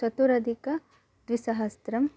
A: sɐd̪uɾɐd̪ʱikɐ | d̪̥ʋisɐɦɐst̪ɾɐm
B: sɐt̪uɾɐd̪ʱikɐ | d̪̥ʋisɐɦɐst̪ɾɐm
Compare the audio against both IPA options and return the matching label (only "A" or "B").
B